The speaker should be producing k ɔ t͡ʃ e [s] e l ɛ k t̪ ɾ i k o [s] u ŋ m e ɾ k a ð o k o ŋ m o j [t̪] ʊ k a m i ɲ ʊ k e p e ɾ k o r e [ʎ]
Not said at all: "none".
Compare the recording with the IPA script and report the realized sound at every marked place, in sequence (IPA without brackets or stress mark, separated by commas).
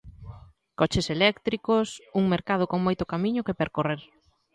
s, s, t̪, ɾ